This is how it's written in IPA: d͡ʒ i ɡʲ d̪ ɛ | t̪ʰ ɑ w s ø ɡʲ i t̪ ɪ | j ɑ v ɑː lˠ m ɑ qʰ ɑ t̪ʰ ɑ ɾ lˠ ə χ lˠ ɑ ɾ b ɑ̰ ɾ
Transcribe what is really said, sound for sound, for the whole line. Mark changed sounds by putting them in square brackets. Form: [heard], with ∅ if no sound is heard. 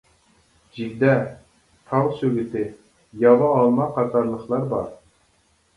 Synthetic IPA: d͡ʒ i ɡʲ d̪ ɛ | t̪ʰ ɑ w s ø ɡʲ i t̪ ɪ | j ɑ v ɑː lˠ m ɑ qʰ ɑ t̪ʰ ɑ ɾ lˠ ə χ lˠ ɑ ɾ b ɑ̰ ɾ

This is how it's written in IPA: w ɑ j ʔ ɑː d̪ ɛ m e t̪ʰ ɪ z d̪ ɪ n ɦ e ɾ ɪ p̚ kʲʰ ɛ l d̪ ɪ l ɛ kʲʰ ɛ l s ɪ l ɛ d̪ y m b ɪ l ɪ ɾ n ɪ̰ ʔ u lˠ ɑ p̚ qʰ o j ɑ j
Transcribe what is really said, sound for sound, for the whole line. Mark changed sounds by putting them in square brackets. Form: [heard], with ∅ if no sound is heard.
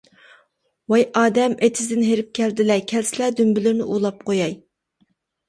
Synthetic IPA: w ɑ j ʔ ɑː d̪ ɛ m e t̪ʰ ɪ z d̪ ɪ n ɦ e ɾ ɪ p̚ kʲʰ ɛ l d̪ ɪ l ɛ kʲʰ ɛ l s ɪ l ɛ d̪ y m b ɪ l ɪ ɾ n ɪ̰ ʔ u lˠ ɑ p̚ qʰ o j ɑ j

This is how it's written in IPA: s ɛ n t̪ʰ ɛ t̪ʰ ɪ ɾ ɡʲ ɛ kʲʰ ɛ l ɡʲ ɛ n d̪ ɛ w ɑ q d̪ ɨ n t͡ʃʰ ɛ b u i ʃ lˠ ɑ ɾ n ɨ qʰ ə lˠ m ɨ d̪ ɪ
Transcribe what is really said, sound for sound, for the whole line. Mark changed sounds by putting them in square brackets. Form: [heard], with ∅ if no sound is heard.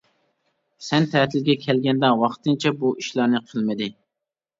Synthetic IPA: s ɛ n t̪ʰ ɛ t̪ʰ ɪ [l] ɡʲ ɛ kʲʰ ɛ l ɡʲ ɛ n d̪ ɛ w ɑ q [t̪] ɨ n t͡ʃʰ ɛ b u i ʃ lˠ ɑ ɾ n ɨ qʰ ə lˠ m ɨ d̪ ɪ

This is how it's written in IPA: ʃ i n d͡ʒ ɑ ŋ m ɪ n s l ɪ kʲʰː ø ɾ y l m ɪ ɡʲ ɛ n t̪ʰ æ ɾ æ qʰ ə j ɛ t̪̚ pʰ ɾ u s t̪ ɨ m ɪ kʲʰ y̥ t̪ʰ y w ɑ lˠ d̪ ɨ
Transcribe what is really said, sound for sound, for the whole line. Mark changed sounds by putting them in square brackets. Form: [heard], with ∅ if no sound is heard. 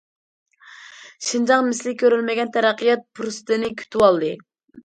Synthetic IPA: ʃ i n d͡ʒ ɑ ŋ m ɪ [∅] s l ɪ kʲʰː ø ɾ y l m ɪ ɡʲ ɛ n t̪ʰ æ ɾ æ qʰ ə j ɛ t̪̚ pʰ ɾ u s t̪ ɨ [n] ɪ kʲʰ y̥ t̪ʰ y w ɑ lˠ d̪ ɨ

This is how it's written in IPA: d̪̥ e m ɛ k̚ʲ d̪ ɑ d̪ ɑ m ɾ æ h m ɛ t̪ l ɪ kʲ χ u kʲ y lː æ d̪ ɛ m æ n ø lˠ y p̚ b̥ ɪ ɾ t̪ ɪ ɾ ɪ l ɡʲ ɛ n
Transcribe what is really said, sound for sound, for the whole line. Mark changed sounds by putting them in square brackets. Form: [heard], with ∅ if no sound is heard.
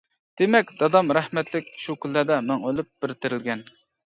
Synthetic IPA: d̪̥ e m ɛ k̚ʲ d̪ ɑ d̪ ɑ m ɾ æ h m ɛ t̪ l ɪ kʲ [ʃ] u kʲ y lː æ d̪ ɛ m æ [ŋ] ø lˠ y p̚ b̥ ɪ ɾ t̪ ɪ ɾ ɪ l ɡʲ ɛ n

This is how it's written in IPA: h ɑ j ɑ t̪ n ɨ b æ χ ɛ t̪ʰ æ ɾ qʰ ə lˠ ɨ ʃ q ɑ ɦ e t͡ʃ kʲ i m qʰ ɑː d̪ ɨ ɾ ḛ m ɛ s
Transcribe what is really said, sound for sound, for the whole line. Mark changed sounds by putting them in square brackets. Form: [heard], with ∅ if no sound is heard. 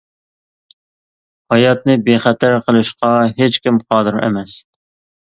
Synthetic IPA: h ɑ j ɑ t̪ n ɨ b [e] χ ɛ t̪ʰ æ ɾ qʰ ə lˠ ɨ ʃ q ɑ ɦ e t͡ʃ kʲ i m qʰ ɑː d̪ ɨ ɾ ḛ m ɛ s

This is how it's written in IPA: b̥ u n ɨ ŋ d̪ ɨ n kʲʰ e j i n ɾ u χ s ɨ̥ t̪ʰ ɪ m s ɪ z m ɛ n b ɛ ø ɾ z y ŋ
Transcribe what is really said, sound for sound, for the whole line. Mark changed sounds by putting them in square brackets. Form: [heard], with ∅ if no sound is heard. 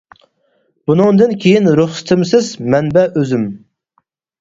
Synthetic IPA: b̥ u n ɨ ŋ d̪ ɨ n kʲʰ e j i n ɾ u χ s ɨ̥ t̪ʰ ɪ m s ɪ z m ɛ n b ɛ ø [∅] z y [m]

